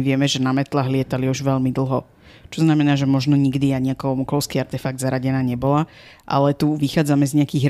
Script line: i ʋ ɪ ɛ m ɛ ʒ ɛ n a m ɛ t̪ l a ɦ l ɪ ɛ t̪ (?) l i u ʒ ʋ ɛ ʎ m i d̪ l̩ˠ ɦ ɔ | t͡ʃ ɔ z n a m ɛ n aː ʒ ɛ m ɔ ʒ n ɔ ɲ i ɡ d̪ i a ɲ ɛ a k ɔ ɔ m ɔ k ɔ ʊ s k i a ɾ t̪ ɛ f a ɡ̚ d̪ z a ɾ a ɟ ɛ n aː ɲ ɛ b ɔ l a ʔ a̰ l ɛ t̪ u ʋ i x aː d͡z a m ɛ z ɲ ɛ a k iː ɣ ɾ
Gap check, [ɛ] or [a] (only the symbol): a